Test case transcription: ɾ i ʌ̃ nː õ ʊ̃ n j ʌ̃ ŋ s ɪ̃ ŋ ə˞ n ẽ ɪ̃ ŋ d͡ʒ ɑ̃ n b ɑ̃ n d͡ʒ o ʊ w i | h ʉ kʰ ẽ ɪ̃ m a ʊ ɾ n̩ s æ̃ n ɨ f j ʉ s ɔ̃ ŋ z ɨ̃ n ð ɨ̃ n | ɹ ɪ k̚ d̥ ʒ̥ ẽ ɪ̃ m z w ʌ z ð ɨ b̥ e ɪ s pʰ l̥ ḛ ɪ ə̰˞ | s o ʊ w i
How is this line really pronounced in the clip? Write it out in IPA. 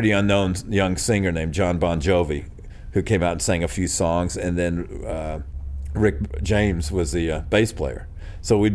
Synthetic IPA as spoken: ɾ i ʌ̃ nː õ ʊ̃ n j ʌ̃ ŋ s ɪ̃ ŋ ə˞ n ẽ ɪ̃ m d͡ʒ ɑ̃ n b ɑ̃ n d͡ʒ o ʊ v i | h ʉ kʰ ẽ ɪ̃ m a ʊ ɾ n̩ s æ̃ ŋ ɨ f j ʉ s ɔ̃ ŋ z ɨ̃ n ð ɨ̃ n | ɹ ɪ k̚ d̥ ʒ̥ ẽ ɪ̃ m z w ʌ z ð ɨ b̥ e ɪ s pʰ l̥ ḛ ɪ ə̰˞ | s o ʊ w i